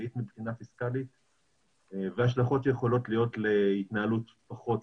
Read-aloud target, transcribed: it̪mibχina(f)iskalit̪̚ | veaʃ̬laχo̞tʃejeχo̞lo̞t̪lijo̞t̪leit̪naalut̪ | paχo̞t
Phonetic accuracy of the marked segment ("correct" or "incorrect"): correct